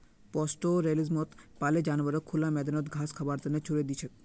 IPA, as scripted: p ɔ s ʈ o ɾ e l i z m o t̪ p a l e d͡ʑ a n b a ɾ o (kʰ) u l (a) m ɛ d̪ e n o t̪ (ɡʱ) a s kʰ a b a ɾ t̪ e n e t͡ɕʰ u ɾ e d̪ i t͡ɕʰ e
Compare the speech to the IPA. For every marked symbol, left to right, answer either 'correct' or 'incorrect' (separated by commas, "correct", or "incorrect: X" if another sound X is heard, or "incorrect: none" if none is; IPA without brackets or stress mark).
correct, correct, correct